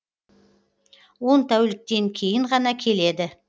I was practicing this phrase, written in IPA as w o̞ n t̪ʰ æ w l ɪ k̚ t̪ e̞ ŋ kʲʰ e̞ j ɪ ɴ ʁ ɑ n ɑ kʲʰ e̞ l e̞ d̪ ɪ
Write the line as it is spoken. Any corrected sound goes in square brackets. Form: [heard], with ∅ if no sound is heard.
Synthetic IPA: w o̞ n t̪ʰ æ w l ɪ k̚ t̪ e̞ ŋ kʲʰ e̞ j ɪ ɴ ʁ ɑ n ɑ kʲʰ e̞ l e̞ d̪ ɪ